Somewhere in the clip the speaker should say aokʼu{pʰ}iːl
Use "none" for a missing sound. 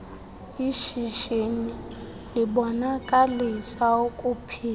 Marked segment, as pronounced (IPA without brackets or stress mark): pʰ